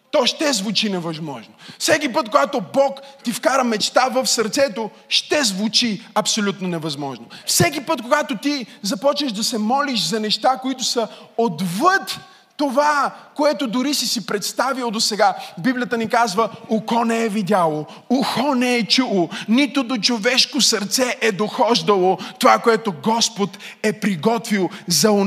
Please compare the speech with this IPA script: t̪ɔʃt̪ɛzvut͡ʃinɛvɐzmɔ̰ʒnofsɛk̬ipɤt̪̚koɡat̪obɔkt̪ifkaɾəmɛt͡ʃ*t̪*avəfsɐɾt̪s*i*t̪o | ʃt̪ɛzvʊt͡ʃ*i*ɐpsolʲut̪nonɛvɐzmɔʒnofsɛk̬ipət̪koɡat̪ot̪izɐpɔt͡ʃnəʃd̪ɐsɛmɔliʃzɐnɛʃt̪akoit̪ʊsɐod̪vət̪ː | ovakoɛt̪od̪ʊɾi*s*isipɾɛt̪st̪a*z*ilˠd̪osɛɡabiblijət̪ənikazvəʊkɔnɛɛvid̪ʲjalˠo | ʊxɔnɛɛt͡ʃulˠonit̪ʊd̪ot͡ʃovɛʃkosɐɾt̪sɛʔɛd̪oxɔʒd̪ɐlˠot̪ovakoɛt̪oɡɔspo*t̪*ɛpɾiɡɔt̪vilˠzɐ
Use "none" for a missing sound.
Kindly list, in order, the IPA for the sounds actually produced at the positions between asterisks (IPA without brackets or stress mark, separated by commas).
t̪, ɛ, i, s, v, t̪